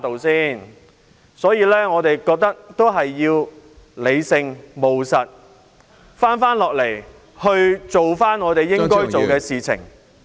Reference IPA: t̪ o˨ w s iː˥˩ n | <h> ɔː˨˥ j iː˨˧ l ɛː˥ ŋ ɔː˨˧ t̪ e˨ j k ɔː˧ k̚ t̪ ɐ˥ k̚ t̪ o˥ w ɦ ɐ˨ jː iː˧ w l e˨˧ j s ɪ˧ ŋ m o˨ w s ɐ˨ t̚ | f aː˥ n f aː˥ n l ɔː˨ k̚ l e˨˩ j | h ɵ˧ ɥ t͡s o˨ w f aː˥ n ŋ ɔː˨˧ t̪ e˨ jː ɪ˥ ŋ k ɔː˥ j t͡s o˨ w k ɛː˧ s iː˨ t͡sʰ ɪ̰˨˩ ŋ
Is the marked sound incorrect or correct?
incorrect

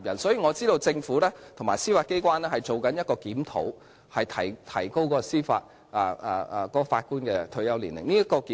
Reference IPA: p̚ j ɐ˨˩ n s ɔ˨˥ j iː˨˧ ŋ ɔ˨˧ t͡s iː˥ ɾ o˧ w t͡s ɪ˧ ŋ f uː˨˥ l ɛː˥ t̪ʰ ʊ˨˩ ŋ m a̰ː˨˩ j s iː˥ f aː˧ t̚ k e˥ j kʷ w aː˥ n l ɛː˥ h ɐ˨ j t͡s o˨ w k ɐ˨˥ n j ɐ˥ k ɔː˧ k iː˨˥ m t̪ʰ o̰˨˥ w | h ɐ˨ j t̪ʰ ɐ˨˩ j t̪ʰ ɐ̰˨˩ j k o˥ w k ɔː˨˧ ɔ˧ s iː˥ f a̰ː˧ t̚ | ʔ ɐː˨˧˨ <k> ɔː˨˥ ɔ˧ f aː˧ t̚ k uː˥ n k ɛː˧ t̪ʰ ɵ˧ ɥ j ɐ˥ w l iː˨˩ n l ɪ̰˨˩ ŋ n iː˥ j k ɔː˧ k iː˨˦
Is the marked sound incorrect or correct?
correct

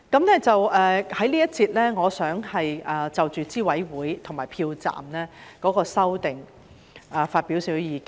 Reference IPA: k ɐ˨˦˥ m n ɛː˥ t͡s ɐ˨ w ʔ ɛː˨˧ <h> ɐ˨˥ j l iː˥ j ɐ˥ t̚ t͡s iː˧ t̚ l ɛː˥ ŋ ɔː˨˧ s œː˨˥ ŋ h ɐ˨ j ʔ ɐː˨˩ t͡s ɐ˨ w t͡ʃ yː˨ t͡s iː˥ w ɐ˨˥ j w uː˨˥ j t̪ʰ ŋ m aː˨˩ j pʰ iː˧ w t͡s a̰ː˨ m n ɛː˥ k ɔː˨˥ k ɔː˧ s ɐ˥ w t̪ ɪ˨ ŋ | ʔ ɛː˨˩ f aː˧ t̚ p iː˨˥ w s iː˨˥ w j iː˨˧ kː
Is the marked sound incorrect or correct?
correct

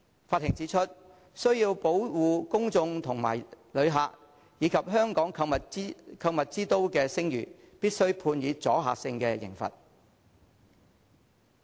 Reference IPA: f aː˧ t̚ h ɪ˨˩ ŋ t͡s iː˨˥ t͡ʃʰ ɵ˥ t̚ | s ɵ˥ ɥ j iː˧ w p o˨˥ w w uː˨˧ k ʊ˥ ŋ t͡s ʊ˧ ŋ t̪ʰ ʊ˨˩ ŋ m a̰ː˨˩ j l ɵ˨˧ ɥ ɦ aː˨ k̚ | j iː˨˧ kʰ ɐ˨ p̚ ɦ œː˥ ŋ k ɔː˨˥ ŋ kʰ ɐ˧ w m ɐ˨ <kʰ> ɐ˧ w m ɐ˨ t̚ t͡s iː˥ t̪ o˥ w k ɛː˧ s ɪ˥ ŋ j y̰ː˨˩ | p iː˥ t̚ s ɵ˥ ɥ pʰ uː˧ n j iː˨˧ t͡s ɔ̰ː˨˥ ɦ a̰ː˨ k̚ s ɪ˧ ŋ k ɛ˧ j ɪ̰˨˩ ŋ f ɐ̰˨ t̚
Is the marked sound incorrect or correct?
correct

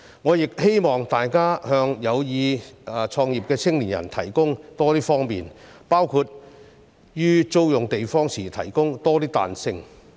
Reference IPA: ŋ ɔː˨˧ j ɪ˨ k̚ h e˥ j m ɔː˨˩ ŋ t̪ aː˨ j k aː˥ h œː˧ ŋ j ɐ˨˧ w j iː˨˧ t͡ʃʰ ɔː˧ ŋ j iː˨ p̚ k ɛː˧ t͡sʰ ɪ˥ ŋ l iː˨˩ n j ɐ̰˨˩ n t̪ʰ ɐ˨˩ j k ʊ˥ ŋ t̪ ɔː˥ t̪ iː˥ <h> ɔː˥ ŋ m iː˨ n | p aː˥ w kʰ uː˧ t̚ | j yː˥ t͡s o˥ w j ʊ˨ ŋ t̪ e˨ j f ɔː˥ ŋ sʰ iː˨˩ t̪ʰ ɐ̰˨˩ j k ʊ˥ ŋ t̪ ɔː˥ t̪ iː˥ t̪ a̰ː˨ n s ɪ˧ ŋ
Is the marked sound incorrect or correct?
incorrect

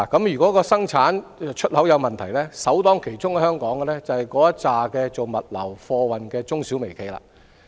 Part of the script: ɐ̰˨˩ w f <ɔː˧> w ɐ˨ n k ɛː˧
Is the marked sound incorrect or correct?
correct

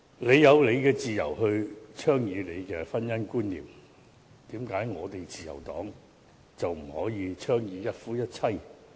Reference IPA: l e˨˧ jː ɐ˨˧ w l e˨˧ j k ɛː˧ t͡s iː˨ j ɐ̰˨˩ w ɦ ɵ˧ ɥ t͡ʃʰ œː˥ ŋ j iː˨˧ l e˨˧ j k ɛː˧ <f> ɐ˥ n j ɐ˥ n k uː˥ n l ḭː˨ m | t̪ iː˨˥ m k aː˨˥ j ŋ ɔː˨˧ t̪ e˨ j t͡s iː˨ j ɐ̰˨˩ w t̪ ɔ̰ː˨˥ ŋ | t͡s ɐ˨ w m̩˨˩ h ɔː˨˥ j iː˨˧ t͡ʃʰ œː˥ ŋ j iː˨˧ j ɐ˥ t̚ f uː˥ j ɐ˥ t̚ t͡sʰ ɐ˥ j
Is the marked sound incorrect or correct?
correct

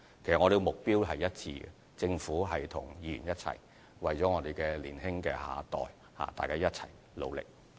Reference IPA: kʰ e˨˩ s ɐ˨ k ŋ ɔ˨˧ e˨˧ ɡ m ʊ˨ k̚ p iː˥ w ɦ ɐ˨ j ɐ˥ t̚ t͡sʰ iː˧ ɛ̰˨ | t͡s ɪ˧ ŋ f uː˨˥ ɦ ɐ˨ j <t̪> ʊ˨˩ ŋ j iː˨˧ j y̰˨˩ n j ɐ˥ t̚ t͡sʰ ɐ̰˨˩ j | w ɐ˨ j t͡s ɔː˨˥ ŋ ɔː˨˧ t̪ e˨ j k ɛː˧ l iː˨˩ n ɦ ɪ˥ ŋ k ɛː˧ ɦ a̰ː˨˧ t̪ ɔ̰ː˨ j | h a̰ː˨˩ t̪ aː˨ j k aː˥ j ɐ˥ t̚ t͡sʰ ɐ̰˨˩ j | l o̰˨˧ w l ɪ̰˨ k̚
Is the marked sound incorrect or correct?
incorrect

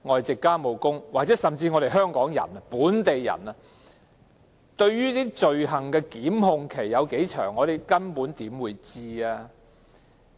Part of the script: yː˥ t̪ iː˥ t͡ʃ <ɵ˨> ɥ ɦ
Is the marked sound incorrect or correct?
correct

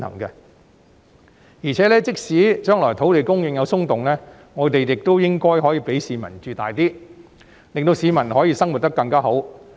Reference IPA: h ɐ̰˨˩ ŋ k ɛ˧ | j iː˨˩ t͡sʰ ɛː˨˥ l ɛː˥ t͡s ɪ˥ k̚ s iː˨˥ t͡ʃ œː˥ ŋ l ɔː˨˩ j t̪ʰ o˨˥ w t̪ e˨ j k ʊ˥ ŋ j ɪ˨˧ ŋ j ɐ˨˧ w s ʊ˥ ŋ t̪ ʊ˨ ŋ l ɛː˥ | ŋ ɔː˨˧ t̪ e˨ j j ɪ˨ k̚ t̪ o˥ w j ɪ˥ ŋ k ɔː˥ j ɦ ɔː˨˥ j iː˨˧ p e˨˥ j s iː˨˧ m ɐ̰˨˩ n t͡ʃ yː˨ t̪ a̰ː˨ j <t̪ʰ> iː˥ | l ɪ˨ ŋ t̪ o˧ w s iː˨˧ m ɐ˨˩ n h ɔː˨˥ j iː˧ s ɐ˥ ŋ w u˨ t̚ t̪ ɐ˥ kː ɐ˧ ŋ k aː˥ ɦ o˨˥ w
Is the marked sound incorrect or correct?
incorrect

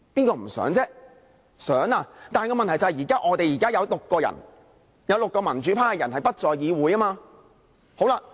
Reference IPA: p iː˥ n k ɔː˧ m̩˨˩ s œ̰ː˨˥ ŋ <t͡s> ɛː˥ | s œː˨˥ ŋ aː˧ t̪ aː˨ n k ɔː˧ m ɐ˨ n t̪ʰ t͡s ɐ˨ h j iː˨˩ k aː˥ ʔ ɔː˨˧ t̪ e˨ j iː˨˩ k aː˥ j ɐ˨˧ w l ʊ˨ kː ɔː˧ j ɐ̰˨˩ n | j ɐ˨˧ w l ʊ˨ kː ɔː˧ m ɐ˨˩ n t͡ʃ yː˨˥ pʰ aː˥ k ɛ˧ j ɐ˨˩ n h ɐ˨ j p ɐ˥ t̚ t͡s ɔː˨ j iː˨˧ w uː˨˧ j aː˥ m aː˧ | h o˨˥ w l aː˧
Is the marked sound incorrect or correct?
correct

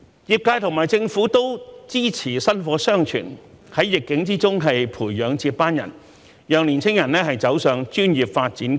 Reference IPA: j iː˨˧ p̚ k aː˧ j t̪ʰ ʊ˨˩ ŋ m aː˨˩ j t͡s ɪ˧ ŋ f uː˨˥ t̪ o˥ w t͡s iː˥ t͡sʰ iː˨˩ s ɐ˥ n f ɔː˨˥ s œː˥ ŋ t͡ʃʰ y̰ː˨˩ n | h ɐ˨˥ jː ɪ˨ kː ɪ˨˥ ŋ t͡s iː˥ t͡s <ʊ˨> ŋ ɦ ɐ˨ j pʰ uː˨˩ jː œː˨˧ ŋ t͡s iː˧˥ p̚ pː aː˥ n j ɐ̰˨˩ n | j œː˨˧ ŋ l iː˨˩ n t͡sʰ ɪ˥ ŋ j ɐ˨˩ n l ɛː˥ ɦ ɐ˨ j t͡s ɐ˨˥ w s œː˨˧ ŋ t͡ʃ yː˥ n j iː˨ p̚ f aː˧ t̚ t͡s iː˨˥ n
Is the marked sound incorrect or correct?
incorrect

